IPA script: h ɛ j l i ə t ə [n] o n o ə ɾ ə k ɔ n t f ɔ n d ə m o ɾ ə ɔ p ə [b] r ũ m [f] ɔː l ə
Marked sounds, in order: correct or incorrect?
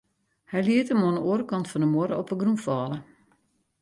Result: incorrect, incorrect, correct

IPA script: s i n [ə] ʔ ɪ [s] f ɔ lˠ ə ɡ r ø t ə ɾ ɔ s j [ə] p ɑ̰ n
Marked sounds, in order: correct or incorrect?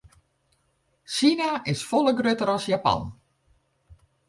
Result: incorrect, correct, incorrect

